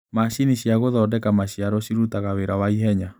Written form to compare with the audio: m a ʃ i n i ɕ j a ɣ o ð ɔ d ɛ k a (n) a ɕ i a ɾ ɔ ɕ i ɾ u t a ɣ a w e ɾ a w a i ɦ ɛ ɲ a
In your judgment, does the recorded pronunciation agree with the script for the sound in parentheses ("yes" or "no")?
no